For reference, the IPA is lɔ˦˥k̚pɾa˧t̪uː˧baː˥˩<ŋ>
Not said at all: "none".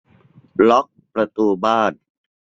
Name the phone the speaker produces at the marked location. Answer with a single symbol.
n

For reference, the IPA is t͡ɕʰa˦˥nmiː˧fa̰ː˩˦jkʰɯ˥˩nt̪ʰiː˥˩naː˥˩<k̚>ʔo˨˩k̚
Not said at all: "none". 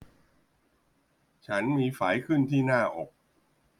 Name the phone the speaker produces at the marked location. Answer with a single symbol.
none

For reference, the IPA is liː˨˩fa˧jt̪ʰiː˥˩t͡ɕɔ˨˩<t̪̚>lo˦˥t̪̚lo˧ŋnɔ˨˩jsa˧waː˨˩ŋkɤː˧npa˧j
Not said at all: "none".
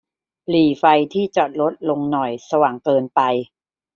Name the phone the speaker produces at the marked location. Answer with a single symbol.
t̪̚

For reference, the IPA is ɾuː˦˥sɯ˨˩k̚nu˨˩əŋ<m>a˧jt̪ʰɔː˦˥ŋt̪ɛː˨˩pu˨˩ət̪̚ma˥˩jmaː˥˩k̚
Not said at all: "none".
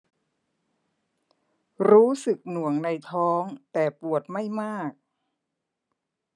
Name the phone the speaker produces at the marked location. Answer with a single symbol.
n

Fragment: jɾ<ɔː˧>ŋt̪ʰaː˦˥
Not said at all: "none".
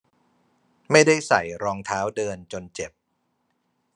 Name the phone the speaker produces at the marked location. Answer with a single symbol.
ɔː˧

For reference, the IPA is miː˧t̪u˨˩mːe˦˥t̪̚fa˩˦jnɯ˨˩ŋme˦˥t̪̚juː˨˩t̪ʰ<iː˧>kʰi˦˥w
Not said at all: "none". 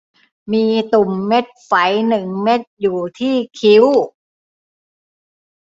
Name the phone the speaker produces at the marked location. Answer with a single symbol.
iː˥˩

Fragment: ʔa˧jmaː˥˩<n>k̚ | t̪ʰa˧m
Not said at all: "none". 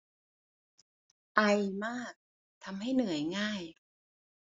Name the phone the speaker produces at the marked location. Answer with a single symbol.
none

